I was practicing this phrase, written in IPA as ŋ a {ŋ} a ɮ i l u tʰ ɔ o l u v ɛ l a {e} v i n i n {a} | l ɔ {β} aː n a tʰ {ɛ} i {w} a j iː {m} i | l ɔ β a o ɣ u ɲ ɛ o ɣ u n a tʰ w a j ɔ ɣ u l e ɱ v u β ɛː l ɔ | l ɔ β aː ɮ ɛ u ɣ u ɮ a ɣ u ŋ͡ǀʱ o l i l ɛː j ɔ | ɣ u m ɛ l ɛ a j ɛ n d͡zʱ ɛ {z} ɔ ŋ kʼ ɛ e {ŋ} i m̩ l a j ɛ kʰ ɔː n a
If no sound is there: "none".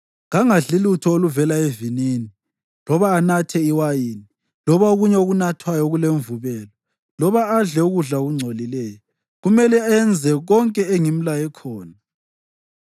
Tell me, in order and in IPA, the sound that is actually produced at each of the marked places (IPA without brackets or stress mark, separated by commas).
ŋ, e, i, β, ɛ, w, n, ɣ, ŋ